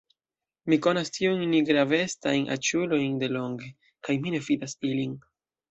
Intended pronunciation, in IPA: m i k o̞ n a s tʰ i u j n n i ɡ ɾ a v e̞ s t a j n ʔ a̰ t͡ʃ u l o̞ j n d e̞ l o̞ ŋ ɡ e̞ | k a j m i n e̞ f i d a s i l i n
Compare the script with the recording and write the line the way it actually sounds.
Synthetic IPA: m i k o̞ n a s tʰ i u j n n i ɡ ɾ a v e̞ s t a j n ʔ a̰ t͡ʃ u l o̞ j n d e̞ l o̞ ŋ ɡ e̞ | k a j m i n e̞ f i d a s i l i n